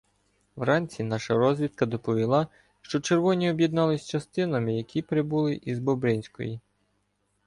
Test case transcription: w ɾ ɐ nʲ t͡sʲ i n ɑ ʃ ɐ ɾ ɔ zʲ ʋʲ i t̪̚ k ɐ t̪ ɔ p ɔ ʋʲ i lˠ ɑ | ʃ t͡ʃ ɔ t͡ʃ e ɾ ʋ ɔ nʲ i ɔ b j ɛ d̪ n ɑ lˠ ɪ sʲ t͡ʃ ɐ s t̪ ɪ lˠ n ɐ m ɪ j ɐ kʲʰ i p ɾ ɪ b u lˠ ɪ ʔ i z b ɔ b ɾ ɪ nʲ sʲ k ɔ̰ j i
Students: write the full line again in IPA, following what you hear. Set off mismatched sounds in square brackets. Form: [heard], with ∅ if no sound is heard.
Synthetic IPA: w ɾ [ɑ] nʲ t͡sʲ i n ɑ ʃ ɐ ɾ ɔ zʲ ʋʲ i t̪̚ k ɐ [d̪] ɔ p ɔ ʋʲ i lˠ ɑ | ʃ t͡ʃ ɔ t͡ʃ e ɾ ʋ ɔ nʲ i ɔ b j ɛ d̪ n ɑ lˠ ɪ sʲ t͡ʃ ɐ s t̪ ɪ [∅] n ɐ m ɪ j ɐ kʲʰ i p ɾ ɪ b u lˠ ɪ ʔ i z b ɔ b ɾ ɪ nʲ sʲ k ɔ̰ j i